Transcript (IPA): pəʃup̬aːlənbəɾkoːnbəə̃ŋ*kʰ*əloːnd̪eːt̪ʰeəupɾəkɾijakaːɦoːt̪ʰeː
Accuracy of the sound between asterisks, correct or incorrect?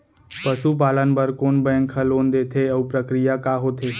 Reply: correct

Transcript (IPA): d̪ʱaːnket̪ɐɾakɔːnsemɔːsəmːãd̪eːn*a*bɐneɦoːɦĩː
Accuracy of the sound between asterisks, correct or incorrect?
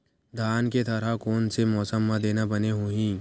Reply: correct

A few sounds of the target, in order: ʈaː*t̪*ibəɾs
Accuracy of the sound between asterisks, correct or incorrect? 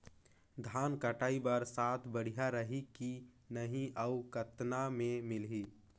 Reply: incorrect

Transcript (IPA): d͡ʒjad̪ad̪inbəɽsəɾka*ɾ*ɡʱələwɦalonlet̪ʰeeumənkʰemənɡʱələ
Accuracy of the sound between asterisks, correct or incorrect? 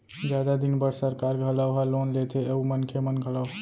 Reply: correct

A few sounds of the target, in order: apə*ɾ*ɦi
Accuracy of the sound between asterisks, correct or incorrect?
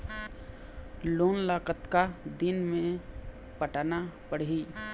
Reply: incorrect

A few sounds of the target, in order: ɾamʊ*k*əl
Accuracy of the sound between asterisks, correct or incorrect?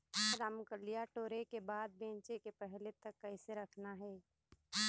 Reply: correct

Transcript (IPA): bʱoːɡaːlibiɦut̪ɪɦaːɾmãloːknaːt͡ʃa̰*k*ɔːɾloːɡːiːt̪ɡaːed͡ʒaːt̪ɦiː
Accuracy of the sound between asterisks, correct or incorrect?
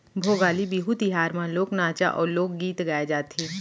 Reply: incorrect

